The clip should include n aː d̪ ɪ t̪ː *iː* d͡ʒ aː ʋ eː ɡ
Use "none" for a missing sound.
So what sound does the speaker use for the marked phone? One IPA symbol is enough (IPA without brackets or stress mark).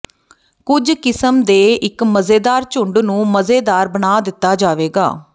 aː